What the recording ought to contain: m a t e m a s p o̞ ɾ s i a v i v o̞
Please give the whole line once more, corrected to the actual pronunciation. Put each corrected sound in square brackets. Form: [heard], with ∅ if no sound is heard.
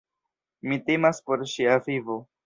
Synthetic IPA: m [i] t e m a s p o̞ ɾ [ʃ] i a v i v o̞